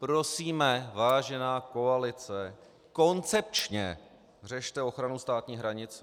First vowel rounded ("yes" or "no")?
yes